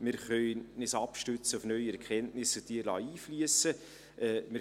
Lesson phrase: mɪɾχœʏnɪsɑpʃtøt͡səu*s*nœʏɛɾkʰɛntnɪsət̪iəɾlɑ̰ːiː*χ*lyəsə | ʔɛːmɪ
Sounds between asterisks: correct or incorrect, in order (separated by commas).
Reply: incorrect, incorrect